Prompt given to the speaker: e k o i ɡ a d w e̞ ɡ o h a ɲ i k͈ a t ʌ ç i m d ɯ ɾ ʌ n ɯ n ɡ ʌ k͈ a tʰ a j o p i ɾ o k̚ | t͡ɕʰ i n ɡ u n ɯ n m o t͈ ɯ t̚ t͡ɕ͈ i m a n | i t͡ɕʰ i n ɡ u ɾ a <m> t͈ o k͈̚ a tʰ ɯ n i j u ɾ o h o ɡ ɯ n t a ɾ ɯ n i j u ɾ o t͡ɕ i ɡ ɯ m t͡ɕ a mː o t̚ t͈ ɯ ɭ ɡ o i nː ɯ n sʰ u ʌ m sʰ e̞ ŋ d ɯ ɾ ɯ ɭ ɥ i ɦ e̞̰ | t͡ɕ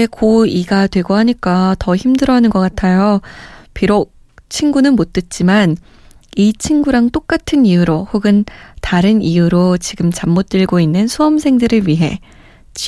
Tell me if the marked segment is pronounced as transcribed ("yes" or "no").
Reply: no